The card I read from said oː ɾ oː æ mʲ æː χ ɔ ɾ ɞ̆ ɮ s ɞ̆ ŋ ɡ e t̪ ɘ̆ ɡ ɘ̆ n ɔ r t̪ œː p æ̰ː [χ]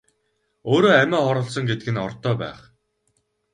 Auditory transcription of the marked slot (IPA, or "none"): χ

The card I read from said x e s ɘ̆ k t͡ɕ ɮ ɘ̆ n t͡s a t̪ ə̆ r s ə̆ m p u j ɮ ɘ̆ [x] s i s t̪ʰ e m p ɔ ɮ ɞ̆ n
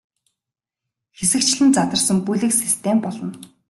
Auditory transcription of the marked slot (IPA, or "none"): k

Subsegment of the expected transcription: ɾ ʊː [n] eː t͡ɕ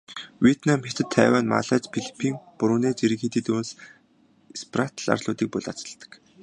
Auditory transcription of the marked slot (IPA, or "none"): n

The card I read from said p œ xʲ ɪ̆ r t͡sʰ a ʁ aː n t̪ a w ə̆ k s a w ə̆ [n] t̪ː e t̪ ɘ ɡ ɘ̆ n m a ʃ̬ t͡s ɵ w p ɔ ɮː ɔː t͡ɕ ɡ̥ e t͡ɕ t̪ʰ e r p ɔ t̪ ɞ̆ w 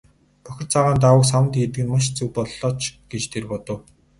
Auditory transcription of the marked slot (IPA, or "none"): n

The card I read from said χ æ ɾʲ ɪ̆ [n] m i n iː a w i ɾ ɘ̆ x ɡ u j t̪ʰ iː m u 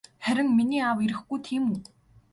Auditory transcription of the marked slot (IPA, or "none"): ŋ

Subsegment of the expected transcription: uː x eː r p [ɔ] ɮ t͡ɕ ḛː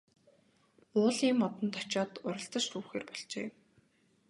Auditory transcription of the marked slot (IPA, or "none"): ɔ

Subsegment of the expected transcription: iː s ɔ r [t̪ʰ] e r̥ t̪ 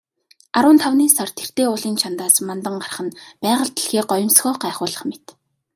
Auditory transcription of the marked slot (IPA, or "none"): t̪ʰ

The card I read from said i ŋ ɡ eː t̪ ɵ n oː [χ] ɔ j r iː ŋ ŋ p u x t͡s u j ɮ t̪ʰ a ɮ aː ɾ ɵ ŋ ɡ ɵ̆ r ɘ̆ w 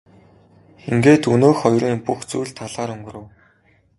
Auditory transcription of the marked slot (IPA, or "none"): x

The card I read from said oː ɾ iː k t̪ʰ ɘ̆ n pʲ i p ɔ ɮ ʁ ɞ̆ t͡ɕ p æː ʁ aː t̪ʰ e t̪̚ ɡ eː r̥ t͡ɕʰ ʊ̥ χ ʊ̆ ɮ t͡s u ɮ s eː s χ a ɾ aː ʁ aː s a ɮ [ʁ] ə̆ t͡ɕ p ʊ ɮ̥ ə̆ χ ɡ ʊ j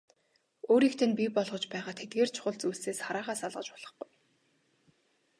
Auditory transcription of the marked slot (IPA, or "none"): ʁ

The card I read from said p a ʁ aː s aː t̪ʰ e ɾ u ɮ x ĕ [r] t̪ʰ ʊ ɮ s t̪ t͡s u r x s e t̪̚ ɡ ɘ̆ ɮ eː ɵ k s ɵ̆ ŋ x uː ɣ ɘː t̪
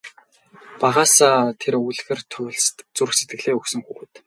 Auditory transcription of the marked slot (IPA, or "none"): r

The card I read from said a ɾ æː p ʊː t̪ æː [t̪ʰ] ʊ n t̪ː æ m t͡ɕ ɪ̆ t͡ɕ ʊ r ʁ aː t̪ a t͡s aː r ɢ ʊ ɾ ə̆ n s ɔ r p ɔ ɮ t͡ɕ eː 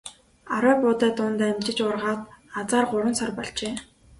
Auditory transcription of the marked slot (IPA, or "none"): t̪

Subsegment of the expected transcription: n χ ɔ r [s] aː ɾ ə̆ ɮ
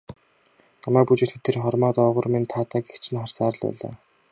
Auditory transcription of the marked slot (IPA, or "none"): s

